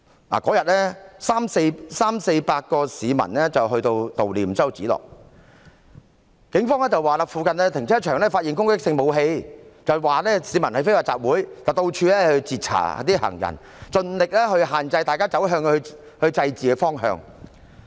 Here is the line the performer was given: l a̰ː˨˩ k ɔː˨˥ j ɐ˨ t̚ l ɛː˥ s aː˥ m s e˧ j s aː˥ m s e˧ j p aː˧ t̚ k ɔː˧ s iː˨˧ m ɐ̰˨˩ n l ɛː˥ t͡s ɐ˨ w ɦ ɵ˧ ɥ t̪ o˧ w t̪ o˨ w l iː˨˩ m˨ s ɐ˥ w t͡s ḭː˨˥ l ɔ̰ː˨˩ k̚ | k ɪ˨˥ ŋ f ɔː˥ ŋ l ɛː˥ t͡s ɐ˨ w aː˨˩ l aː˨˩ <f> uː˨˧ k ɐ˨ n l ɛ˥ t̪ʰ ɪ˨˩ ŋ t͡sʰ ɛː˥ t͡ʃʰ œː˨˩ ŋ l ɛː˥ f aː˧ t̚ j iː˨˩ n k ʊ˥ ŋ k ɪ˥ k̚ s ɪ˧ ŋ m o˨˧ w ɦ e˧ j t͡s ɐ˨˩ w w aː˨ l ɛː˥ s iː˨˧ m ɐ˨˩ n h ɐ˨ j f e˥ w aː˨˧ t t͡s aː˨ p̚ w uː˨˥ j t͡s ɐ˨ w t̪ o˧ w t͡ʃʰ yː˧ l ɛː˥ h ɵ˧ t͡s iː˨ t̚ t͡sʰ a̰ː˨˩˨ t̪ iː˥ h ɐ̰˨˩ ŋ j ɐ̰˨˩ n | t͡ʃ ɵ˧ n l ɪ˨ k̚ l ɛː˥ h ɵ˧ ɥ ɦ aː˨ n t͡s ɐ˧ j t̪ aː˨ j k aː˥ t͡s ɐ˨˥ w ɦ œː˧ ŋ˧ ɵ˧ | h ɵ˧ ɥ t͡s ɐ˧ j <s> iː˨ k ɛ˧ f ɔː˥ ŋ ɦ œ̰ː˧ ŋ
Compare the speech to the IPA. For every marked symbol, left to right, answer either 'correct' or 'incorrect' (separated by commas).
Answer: correct, incorrect